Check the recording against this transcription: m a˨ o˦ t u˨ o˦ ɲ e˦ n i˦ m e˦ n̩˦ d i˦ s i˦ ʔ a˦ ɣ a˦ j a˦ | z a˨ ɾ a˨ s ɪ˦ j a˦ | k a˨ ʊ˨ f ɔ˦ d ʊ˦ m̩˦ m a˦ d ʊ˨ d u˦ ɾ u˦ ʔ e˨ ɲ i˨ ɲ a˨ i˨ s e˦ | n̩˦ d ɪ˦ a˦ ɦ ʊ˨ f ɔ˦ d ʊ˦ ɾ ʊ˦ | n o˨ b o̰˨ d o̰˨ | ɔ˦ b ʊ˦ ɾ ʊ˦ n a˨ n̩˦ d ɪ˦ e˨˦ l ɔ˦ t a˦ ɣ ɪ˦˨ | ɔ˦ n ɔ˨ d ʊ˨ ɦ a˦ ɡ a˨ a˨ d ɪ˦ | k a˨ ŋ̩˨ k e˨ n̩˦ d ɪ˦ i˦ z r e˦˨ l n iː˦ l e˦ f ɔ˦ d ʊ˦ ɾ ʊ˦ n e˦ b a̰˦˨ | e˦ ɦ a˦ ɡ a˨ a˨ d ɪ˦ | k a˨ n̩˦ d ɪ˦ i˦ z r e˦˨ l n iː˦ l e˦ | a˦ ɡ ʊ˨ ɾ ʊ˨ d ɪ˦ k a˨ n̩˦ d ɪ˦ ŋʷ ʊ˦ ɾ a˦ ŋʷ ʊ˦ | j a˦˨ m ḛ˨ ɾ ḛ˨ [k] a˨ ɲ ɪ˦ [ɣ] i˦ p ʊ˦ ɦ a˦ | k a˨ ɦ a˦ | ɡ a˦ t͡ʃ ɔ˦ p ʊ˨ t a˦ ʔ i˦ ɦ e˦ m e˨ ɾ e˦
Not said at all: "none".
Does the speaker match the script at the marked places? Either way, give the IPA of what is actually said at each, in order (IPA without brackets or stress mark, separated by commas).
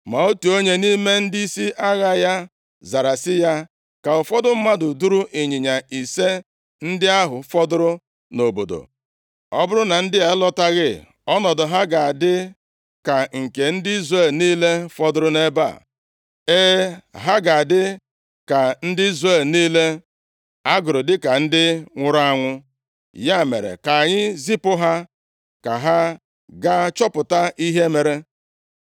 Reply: k, z